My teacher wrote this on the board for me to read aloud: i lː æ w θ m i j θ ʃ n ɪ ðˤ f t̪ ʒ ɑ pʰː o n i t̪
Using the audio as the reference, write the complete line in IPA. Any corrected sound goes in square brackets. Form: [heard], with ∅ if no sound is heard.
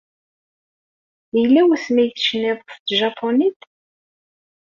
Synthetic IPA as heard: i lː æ w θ m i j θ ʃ n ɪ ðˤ f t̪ ʒ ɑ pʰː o n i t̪